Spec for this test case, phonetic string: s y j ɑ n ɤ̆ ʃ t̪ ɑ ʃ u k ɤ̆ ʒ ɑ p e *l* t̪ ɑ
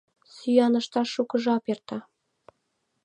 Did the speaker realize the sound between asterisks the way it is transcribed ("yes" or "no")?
no